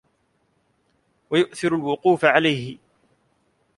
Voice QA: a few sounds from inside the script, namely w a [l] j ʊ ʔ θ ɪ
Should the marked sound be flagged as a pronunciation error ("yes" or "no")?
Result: yes